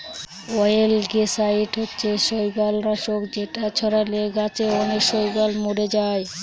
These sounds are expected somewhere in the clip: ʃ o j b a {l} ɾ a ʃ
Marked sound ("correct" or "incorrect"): correct